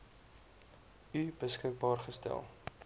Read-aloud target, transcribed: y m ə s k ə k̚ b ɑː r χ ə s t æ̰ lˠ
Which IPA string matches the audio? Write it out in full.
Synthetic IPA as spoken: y b ə s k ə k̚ b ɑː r χ ə s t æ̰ lˠ